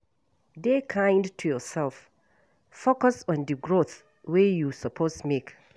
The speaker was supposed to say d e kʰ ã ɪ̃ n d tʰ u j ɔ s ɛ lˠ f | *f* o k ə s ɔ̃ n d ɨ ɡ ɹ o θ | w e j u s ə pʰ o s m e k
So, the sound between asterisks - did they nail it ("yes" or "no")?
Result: yes